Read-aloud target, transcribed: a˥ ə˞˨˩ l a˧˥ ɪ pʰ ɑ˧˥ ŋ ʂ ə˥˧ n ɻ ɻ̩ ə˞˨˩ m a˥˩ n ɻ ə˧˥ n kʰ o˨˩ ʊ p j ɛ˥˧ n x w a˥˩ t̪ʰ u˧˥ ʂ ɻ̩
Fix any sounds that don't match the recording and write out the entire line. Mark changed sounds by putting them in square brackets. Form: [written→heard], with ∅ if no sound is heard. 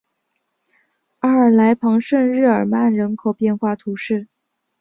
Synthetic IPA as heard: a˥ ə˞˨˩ l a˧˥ ɪ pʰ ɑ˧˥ ŋ ʂ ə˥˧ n ɻ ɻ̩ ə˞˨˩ m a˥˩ n ɻ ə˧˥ n kʰ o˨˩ ʊ p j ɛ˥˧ n x w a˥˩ t̪ʰ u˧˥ ʂ ɻ̩